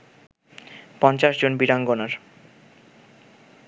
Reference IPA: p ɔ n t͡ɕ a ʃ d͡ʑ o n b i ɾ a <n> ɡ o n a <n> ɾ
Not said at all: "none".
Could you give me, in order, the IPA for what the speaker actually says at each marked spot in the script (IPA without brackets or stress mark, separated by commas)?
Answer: ŋ, none